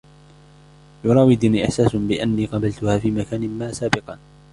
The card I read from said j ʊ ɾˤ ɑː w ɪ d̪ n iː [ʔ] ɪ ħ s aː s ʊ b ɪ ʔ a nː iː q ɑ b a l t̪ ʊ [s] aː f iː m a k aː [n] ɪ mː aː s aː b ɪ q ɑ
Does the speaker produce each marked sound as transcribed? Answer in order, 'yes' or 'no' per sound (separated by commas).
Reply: yes, no, yes